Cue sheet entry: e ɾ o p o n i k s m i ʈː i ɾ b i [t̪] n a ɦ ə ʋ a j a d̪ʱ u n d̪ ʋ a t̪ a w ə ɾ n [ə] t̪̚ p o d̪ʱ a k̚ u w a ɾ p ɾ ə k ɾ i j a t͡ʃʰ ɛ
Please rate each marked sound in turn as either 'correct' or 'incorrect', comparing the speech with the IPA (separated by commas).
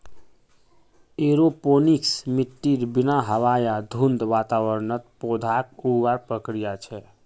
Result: incorrect, correct